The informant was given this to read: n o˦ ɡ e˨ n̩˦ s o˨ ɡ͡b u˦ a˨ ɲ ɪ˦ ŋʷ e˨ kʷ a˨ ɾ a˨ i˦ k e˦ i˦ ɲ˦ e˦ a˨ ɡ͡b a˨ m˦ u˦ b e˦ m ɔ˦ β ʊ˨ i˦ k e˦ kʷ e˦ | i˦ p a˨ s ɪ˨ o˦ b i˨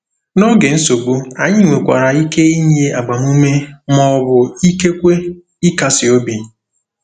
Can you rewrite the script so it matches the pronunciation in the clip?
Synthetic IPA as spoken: n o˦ ɡ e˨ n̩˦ s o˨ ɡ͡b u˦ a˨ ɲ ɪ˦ ŋʷ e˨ kʷ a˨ ɾ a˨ i˦ k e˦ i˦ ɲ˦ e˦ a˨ ɡ͡b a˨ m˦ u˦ m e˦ m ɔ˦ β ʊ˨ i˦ k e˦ kʷ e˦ | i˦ k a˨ s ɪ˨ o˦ b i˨